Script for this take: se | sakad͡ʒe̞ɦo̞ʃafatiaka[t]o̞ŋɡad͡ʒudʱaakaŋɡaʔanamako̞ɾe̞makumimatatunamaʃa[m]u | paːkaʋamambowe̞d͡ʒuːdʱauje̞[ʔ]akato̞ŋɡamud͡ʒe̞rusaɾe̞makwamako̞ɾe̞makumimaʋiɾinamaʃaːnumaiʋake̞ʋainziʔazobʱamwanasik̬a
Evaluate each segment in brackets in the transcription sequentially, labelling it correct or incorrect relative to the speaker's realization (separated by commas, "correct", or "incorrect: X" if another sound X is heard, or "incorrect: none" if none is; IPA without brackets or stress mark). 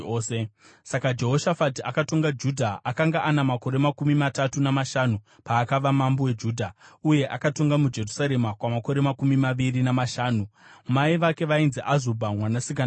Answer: correct, incorrect: n, correct